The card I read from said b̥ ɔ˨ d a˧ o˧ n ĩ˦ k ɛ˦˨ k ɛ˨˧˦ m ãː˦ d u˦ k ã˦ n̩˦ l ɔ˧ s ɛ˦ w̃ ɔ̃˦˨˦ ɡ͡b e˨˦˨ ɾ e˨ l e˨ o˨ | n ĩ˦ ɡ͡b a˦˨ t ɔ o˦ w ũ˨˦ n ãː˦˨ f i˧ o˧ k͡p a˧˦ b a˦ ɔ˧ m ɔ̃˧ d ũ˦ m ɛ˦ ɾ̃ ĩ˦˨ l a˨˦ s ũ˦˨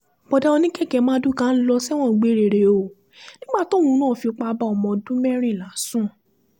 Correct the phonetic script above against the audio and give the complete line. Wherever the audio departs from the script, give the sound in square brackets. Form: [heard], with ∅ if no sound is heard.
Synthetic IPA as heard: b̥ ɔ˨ d a˧ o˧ n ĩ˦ k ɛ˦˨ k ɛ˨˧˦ m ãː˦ d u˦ k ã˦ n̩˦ l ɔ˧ s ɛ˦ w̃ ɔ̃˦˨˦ ɡ͡b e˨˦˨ ɾ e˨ [ɾ] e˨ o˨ | n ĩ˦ ɡ͡b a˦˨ t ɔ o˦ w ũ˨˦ n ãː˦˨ f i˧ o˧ k͡p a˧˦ b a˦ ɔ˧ m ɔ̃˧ d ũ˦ m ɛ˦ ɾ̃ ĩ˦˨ l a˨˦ s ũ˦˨